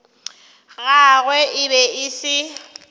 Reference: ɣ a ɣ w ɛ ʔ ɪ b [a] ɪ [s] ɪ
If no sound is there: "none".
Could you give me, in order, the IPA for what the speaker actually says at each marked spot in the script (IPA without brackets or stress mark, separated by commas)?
ɛ, s